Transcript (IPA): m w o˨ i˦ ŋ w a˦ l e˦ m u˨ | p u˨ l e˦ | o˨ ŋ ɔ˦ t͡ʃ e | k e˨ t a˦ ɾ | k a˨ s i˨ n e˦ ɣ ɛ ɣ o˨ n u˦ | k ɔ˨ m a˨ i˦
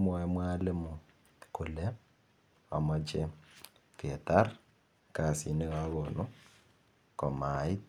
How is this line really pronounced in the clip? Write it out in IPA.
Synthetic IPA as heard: m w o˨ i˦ m w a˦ l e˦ m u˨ | k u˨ l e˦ | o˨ m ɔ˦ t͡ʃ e | k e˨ t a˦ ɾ | k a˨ s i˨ n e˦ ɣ a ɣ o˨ n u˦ | k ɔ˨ m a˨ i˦